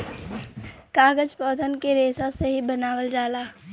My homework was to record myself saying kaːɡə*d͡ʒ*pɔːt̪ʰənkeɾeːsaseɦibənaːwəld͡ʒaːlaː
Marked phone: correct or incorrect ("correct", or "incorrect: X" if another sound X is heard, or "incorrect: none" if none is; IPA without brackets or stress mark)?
correct